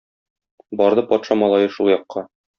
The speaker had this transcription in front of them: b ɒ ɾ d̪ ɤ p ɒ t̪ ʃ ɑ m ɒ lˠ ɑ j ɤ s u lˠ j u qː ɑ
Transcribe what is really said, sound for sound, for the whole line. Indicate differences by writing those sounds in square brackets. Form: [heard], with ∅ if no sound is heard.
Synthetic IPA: b ɒ ɾ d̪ ɤ p ɒ t̪ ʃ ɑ m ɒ lˠ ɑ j ɤ [ʃ] u lˠ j [ɒ] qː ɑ